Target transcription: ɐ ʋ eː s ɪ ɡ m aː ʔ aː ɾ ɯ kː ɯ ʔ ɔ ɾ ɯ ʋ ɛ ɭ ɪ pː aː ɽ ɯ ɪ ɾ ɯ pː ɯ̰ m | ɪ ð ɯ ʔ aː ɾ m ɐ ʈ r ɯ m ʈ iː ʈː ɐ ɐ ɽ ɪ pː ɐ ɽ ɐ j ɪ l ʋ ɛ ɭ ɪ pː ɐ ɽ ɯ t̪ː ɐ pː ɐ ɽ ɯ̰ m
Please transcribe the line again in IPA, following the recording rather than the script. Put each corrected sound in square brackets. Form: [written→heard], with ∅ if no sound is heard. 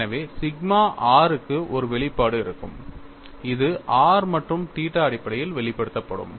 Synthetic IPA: ɐ ʋ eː s ɪ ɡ m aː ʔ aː ɾ ɯ kː ɯ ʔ ɔ ɾ ɯ ʋ ɛ ɭ ɪ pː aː ɽ ɯ ɪ ɾ ɯ [pː→kː] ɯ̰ m | ɪ ð ɯ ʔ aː ɾ m ɐ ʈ r ɯ m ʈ iː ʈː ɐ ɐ ɽ ɪ pː ɐ ɽ ɐ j ɪ l ʋ ɛ ɭ ɪ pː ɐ ɽ ɯ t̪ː ɐ pː ɐ ɽ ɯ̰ m